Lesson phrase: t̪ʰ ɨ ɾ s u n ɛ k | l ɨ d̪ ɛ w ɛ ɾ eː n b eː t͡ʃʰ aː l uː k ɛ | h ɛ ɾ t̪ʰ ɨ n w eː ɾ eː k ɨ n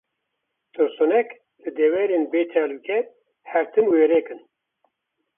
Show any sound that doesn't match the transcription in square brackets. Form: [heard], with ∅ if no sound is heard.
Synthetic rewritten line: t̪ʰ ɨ ɾ s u n ɛ k | l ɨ d̪ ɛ w ɛ ɾ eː n b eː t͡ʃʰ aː l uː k ɛ | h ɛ ɾ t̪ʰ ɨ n w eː ɾ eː k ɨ n